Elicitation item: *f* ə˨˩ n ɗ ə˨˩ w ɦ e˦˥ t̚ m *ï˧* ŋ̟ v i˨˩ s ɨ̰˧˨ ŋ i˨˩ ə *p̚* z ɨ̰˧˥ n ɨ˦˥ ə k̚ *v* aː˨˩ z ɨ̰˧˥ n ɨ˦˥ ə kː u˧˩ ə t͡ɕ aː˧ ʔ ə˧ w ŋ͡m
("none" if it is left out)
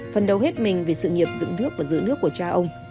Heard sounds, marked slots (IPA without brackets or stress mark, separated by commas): f, ï˨˩, p̚, v